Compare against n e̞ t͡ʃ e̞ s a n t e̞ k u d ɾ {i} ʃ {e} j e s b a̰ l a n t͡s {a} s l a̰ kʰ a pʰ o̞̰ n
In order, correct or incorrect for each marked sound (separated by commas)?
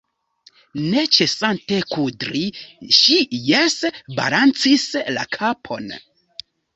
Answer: correct, incorrect, incorrect